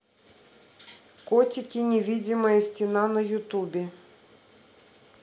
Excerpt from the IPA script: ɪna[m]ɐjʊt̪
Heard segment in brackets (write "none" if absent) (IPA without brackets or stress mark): n